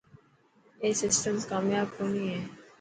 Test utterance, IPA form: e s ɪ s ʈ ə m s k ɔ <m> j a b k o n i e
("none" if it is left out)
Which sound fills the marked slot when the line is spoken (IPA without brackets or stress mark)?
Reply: m